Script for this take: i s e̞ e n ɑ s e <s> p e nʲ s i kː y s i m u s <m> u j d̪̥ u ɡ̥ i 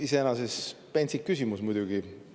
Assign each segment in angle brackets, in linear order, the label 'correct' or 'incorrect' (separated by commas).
correct, correct